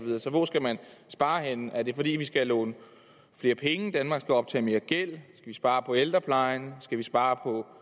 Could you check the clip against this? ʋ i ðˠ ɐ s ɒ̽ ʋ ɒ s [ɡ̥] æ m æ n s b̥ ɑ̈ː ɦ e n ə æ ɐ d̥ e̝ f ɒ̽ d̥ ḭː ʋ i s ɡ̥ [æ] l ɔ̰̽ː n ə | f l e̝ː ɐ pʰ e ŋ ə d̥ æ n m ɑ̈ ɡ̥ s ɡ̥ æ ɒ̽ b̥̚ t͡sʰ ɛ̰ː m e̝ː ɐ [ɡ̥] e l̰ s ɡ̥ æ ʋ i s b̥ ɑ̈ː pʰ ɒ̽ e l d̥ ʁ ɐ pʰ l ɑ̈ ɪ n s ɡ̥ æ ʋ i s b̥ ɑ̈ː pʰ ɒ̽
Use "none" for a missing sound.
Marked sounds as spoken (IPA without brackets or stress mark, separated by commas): ɡ̥, æ, ɡ̥